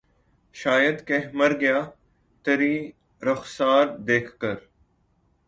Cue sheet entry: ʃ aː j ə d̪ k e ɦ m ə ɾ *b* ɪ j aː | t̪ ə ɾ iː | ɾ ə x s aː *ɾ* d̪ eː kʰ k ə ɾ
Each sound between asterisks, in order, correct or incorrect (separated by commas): incorrect, correct